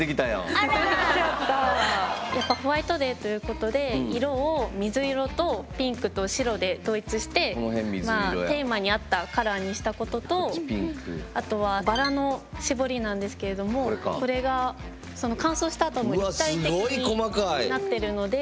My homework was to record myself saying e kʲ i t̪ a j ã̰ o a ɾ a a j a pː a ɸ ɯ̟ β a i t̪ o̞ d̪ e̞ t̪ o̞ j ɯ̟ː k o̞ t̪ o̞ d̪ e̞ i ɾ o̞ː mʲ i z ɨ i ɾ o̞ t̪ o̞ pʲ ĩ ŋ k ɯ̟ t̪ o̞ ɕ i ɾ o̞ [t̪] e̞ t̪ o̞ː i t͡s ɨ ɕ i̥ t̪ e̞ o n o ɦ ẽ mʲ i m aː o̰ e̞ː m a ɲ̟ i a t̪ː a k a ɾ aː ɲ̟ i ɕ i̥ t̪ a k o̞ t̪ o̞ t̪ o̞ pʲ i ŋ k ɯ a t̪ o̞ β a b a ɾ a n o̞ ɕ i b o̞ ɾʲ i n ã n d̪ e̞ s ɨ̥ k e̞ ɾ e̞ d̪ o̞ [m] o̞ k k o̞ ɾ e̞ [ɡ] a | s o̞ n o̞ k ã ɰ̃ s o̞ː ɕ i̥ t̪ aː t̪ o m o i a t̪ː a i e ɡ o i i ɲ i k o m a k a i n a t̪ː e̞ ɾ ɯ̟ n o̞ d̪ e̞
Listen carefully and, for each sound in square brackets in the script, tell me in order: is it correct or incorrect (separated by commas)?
incorrect, correct, correct